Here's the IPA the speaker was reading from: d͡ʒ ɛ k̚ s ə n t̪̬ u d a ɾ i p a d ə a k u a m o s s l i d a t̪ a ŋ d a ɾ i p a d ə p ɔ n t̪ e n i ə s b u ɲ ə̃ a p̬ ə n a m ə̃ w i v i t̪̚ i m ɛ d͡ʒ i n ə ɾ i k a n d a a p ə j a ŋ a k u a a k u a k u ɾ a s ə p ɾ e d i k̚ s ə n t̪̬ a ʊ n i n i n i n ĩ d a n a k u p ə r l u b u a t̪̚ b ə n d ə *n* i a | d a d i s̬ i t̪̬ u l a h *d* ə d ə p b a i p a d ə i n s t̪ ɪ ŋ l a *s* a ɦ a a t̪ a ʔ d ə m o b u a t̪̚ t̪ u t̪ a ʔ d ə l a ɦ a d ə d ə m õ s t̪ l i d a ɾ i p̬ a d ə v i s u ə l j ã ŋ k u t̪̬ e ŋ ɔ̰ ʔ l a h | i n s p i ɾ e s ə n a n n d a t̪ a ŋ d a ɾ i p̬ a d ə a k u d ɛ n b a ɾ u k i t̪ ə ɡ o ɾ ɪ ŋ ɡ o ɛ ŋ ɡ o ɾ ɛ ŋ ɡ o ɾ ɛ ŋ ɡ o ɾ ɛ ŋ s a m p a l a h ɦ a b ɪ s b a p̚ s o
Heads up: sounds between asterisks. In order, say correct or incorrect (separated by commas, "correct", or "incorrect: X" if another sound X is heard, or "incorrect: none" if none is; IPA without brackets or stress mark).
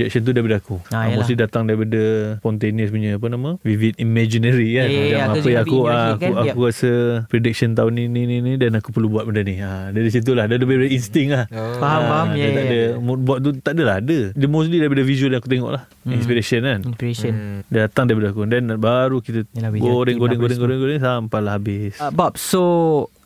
correct, correct, incorrect: h